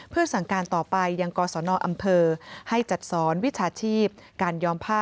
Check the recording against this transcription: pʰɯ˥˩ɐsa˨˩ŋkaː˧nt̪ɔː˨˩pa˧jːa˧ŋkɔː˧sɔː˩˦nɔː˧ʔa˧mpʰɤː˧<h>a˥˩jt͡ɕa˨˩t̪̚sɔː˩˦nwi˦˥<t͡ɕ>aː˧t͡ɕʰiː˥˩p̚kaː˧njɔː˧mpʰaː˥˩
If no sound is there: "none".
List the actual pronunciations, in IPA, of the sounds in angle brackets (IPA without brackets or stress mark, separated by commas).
h, t͡ɕʰ